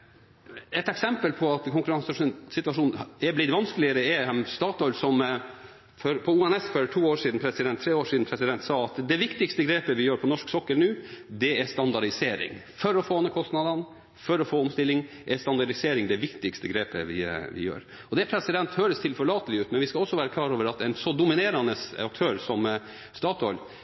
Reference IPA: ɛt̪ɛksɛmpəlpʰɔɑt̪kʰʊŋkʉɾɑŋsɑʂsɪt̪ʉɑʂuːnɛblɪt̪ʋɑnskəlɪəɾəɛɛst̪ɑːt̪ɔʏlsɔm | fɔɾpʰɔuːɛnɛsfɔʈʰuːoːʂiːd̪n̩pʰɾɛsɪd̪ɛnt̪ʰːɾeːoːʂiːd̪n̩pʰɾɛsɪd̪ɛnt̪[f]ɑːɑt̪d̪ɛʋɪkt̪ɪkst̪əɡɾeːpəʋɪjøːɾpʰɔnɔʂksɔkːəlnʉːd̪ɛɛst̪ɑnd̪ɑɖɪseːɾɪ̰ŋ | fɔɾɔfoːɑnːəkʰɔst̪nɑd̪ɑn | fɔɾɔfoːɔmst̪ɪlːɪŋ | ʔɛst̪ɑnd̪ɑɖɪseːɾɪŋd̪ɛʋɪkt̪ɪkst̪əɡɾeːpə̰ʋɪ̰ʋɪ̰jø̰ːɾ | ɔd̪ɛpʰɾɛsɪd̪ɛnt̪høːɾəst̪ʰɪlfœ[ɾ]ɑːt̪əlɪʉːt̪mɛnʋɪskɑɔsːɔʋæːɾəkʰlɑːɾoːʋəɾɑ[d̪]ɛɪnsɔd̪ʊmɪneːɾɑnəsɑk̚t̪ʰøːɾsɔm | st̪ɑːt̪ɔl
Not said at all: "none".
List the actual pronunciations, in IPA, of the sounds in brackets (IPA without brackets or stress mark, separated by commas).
s, ɭ, t̪